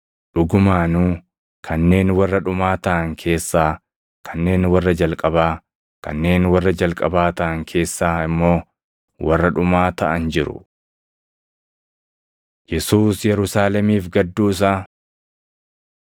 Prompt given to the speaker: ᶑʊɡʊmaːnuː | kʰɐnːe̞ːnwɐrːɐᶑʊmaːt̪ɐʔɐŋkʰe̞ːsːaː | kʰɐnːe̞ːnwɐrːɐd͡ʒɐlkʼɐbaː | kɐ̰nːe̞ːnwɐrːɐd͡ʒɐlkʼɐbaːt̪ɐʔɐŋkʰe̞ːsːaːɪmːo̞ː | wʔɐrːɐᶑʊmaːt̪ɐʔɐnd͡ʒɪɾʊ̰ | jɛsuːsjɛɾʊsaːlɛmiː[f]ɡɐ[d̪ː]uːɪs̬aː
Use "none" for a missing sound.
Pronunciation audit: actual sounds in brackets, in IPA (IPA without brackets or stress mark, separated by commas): f, d̪ː